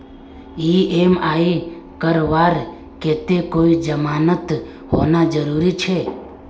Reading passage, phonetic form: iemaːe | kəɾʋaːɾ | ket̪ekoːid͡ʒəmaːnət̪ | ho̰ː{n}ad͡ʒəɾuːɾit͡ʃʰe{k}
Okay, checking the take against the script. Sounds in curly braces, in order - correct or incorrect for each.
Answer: correct, incorrect: none

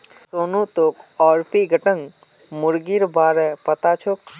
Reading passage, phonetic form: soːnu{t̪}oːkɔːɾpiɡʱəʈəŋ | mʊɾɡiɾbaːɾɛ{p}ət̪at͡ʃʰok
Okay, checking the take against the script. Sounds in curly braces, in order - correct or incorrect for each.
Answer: correct, correct

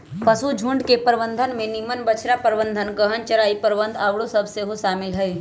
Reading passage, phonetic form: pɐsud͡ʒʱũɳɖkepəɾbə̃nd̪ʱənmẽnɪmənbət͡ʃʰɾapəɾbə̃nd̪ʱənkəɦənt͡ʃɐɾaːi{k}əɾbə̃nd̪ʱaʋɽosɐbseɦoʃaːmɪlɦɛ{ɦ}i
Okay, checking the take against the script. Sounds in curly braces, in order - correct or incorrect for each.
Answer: incorrect: p, incorrect: none

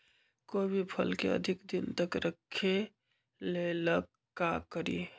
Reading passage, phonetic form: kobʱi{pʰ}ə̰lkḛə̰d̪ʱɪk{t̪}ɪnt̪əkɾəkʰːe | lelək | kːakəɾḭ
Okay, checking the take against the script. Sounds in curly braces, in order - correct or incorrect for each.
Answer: correct, incorrect: d̪

